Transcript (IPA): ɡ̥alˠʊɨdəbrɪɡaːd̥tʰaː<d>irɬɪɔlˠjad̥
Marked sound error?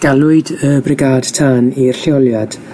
yes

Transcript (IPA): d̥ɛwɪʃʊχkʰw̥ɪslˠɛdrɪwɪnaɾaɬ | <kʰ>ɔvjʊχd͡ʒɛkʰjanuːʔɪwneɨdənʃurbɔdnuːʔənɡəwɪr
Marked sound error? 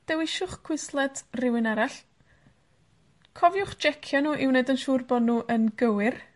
no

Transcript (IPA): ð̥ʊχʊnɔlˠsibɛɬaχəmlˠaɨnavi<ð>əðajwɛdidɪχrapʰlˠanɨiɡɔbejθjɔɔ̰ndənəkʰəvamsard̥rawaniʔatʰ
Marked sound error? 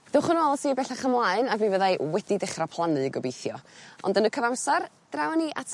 yes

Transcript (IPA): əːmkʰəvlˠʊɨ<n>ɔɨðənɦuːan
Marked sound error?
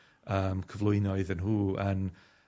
no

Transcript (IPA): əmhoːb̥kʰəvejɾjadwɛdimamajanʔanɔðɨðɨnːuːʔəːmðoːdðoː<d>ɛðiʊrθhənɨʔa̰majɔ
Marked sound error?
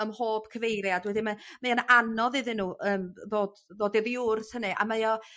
no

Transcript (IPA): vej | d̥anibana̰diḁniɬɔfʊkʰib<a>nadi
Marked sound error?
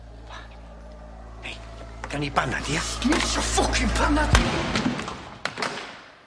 no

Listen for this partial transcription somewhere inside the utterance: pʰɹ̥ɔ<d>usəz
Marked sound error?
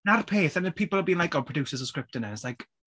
no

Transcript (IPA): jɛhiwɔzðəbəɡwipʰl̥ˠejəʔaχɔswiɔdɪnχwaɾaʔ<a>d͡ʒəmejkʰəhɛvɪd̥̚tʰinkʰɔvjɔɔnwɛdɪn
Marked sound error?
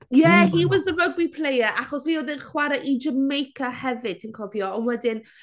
yes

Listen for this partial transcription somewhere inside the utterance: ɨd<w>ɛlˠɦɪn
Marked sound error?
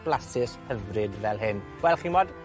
yes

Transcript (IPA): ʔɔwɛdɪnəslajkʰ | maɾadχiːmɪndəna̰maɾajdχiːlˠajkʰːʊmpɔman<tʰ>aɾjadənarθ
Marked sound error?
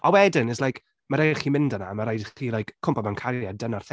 yes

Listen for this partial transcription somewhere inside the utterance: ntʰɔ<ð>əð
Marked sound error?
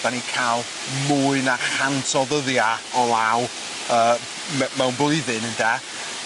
no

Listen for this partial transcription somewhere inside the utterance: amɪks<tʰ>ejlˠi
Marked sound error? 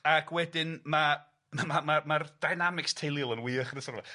no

